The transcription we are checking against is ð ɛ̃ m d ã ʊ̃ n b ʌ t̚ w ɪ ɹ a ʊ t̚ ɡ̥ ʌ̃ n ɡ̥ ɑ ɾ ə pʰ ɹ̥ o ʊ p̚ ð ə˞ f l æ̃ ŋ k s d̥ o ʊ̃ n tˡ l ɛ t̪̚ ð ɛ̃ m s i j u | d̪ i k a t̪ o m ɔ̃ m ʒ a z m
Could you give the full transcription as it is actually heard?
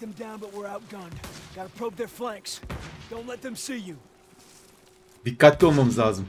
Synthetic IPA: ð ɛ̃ m d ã ʊ̃ n b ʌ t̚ w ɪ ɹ a ʊ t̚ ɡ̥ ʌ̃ n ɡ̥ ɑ ɾ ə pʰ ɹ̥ o ʊ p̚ ð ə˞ f l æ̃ ŋ k s d̥ õ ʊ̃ n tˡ l ɛ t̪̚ ð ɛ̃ m s i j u | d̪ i k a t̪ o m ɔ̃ m z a z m